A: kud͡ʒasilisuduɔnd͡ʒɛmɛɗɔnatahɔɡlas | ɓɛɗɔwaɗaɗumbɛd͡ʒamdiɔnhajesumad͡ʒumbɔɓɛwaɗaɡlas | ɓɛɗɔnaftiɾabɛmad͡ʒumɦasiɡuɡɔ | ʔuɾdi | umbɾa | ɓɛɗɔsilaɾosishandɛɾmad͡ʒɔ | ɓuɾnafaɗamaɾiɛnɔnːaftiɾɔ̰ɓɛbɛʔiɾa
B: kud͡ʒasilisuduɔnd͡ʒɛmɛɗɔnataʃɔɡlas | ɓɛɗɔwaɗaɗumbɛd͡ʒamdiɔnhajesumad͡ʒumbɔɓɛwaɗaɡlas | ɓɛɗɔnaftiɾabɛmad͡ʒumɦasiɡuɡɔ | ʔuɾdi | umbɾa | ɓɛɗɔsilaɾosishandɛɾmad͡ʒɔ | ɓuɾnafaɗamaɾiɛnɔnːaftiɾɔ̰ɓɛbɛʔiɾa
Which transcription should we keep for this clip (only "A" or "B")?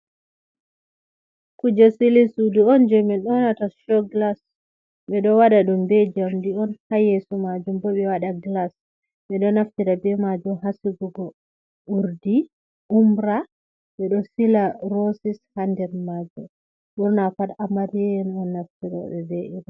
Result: B